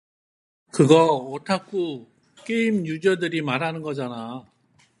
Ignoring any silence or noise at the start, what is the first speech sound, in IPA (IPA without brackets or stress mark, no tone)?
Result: k